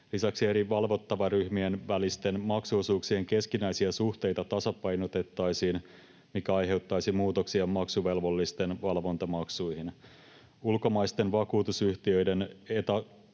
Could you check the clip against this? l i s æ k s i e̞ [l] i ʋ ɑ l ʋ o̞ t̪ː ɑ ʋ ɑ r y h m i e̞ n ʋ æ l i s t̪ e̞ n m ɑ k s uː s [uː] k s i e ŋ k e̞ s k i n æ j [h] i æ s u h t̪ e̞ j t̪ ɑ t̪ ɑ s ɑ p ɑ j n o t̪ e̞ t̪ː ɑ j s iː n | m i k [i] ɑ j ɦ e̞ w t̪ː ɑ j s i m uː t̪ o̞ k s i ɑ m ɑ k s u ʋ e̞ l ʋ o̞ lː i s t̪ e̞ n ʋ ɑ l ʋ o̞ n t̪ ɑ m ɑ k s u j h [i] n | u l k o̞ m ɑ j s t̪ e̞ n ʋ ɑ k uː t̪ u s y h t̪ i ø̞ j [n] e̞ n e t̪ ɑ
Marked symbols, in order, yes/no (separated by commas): no, yes, no, no, yes, no